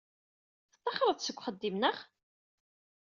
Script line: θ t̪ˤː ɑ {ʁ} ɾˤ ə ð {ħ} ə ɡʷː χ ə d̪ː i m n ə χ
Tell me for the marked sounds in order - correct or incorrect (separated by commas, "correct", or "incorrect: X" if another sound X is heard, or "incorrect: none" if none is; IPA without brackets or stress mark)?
incorrect: χ, incorrect: s